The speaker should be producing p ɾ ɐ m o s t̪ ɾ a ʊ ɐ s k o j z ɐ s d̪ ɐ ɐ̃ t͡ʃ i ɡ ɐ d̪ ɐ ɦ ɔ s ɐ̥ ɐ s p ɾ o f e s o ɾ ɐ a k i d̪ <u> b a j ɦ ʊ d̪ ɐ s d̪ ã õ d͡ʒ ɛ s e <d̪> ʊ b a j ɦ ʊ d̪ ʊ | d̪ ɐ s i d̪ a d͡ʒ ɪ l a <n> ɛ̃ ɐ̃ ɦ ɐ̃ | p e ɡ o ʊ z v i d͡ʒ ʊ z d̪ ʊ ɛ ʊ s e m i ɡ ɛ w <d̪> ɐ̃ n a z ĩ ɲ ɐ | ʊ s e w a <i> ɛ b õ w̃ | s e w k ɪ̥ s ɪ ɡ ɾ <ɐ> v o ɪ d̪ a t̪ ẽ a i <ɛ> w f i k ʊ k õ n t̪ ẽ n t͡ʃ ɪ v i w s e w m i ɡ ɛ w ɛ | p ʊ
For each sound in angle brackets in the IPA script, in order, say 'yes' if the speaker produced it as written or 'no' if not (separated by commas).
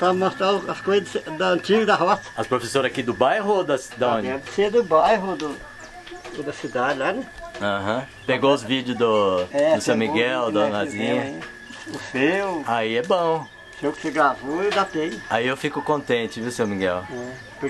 no, yes, yes, yes, yes, no, no